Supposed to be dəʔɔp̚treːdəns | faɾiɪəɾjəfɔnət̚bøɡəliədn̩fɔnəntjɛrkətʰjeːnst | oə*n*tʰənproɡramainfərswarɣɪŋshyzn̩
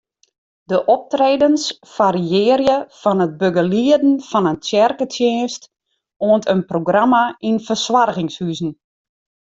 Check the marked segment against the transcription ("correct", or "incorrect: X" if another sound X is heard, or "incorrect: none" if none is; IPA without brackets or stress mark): correct